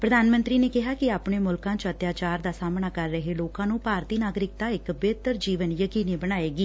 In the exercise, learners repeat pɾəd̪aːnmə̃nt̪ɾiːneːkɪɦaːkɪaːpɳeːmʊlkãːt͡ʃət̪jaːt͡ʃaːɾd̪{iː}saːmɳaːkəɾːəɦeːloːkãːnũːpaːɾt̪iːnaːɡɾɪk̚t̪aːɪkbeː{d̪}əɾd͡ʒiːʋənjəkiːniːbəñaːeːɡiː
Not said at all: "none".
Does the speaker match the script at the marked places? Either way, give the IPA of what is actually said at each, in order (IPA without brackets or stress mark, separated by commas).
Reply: aː, t̪